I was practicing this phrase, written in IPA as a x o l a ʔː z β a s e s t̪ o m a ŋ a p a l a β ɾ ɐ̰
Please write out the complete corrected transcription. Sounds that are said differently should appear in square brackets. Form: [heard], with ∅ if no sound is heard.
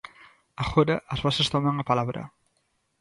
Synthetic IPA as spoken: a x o [ɾ] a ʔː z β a s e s t̪ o m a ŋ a p a l a β ɾ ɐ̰